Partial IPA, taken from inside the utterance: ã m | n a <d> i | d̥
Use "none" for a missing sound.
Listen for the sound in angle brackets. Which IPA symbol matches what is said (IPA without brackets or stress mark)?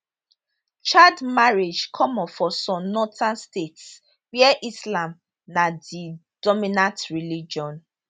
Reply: d